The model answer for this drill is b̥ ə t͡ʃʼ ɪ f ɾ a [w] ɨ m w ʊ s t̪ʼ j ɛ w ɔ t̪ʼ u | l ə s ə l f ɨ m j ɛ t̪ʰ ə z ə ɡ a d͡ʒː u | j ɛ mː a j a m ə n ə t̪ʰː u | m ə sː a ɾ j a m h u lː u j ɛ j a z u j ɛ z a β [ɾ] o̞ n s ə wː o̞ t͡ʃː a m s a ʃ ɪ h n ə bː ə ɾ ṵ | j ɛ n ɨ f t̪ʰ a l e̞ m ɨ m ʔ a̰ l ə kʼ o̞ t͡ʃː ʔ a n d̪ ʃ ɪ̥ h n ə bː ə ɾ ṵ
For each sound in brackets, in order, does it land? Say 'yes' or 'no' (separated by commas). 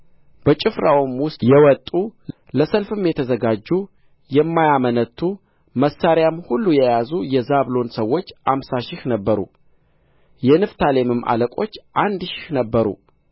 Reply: yes, no